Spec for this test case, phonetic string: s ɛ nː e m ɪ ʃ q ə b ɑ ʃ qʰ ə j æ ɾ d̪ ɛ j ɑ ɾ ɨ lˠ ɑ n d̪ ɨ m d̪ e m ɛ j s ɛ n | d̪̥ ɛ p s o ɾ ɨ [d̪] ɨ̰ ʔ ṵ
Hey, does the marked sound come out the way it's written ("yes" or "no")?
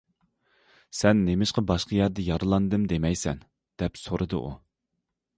yes